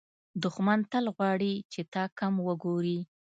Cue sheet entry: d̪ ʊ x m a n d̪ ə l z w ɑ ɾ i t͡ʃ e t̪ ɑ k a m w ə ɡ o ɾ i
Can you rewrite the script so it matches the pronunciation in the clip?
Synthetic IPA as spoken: d̪ ʊ x m a n t̪ ə l ɣ w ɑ ɽ i t͡ʃ e t̪ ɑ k a m w ə ɡ o ɾ i